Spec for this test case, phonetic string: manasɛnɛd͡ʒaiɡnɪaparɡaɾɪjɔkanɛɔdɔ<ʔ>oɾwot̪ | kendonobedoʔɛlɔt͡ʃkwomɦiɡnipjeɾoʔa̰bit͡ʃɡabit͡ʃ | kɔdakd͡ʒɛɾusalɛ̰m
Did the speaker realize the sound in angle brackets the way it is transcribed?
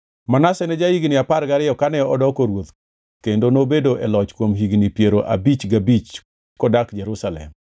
no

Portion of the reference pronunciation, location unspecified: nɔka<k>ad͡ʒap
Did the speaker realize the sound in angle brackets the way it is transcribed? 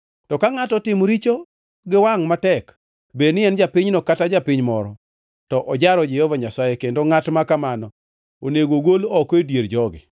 no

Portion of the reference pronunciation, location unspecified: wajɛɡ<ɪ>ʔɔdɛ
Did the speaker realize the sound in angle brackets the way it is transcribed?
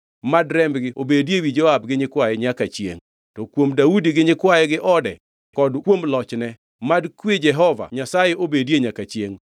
yes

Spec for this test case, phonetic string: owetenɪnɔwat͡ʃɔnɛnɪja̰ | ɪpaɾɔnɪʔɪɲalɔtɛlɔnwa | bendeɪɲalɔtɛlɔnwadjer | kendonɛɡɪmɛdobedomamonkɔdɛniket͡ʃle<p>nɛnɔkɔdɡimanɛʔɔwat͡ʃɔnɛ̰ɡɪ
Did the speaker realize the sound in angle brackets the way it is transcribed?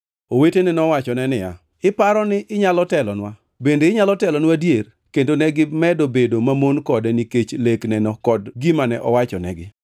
no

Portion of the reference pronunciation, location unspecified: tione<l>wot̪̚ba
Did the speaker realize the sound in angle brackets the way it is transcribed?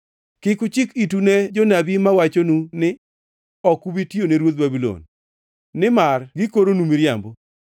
no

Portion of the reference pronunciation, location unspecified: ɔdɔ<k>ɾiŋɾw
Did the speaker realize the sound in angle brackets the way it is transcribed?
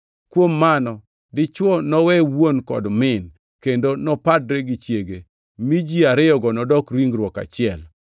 yes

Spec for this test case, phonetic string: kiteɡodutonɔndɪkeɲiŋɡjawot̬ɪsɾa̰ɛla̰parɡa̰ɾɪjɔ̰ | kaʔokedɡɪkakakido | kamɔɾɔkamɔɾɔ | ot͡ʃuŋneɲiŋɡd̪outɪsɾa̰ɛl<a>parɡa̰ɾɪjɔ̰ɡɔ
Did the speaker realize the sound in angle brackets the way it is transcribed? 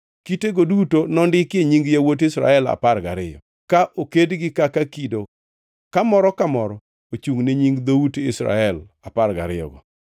yes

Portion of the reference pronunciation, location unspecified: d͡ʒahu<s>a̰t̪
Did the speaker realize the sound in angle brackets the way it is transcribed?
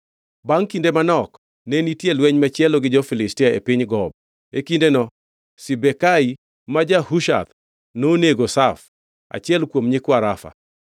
no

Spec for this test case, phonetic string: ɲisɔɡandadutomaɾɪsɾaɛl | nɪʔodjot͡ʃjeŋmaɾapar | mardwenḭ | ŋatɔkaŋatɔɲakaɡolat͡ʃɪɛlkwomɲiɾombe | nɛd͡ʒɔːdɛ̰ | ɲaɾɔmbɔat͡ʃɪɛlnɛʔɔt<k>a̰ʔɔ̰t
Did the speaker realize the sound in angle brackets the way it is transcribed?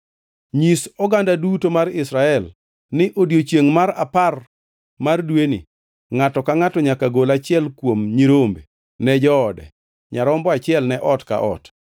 yes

